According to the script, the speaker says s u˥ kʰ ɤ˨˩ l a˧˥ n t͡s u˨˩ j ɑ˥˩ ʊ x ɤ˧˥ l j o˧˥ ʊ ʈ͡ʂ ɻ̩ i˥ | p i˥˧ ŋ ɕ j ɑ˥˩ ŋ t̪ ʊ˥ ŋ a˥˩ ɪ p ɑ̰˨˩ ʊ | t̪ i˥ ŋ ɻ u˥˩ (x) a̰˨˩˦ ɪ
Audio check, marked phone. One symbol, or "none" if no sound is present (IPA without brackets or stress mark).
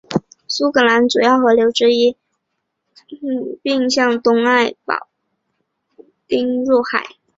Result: x